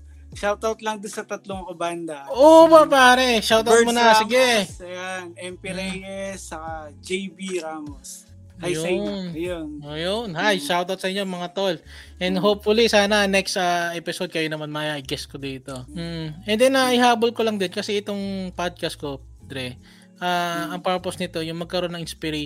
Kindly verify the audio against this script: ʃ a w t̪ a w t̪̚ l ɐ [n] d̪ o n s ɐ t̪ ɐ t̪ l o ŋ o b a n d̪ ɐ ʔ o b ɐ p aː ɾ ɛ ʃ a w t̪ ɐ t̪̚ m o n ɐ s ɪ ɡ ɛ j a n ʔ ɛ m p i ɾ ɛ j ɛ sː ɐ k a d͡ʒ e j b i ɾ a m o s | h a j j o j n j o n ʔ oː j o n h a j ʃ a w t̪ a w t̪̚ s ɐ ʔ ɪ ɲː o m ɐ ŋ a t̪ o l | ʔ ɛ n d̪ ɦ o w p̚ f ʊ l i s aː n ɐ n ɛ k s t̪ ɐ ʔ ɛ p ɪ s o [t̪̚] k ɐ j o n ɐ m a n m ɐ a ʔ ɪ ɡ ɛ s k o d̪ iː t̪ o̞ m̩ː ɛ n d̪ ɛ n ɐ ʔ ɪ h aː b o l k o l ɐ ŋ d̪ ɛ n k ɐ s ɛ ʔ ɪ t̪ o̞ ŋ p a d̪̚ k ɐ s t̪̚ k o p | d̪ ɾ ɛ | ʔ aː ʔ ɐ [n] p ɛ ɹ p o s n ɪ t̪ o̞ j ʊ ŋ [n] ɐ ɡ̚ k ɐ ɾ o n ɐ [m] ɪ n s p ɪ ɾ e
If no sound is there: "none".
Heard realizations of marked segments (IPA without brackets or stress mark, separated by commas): ŋ, d̪̚, ŋ, m, ŋ